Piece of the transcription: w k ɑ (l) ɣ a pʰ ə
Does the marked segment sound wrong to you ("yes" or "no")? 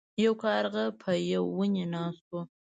yes